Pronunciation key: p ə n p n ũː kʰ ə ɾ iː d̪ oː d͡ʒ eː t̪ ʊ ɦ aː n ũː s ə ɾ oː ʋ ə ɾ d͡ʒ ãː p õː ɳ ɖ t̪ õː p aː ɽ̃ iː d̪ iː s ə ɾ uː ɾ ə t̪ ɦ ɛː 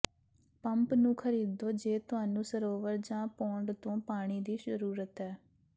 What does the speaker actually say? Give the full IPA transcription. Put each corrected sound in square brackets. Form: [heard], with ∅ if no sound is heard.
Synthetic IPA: p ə [m] p n ũː kʰ ə ɾ iː d̪ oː d͡ʒ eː t̪ ʊ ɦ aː n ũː s ə ɾ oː ʋ ə ɾ d͡ʒ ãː p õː ɳ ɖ t̪ õː p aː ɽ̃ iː d̪ iː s ə ɾ uː ɾ ə t̪ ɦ ɛː